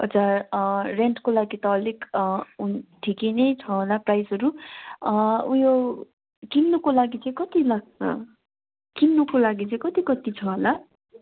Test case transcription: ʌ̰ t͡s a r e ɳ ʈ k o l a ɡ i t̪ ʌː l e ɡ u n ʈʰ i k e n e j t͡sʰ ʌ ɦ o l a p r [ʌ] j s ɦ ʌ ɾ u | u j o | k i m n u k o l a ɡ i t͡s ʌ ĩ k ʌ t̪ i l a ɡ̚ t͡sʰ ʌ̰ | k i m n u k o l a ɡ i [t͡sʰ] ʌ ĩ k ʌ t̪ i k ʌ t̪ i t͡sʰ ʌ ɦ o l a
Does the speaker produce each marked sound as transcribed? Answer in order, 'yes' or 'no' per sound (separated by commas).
no, no